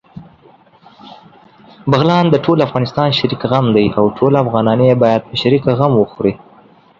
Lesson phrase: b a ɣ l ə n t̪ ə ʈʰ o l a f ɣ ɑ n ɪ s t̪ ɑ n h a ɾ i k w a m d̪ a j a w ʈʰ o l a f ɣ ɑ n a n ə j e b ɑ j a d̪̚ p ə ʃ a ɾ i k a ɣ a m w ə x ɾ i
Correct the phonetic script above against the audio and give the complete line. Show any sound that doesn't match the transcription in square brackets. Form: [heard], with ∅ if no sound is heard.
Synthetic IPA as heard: b a ɣ l [ɑ] n [d̪] ə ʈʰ o l a f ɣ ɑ n ɪ s t̪ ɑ n [ʃ] a ɾ i k [ɣ] a m d̪ a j a w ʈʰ o l a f ɣ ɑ n [ɑ] n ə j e b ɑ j a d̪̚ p ə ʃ a ɾ i k a ɣ a m w ə x ɾ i